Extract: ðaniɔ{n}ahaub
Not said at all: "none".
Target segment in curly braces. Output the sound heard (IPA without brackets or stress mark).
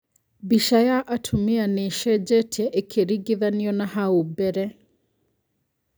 n